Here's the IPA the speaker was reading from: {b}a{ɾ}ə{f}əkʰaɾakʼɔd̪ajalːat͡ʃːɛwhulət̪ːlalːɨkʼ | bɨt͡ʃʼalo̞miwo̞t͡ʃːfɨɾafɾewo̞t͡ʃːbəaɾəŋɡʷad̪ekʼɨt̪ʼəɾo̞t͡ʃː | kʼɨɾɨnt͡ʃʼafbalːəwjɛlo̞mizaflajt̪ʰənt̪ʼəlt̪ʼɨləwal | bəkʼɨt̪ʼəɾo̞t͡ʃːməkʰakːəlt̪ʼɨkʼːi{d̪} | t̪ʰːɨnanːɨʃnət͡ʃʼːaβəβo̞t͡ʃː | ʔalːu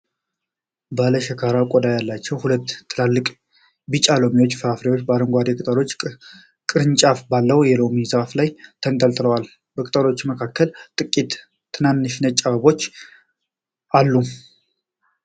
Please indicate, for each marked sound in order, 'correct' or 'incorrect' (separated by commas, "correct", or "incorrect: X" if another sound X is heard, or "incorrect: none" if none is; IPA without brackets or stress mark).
correct, incorrect: l, incorrect: ʃ, incorrect: t̪